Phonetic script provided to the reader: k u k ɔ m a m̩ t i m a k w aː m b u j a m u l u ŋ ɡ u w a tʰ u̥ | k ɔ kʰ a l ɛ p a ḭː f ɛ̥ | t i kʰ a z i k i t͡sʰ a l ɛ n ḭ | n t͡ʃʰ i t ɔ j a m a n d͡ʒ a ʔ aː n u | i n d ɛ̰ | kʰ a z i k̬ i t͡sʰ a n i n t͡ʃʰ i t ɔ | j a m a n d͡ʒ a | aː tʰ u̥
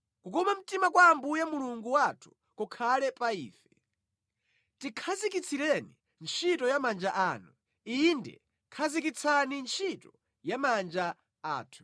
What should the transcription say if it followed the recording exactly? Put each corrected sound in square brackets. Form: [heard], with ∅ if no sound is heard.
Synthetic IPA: k u k ɔ m a m̩ t i m a k w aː m b u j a m u l u ŋ ɡ u w a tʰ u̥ | k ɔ kʰ a l ɛ p a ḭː f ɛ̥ | t i kʰ a z i k i t͡sʰ [i] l ɛ n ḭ | n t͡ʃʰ i t ɔ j a m a n d͡ʒ a ʔ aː n u | i n d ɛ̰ | kʰ a z i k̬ i t͡sʰ a n i n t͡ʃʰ i t ɔ | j a m a n d͡ʒ a | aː tʰ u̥